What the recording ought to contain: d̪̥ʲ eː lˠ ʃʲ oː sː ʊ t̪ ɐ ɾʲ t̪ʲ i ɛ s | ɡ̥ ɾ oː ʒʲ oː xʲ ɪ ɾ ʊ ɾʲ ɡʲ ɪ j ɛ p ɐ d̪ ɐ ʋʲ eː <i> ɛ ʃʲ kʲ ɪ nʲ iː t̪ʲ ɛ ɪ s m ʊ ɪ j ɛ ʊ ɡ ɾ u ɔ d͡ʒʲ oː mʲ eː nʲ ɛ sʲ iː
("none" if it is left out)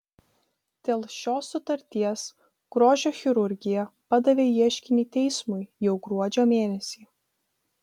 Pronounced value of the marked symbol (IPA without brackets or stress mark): i